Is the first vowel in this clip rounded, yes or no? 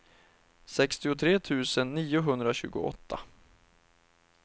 no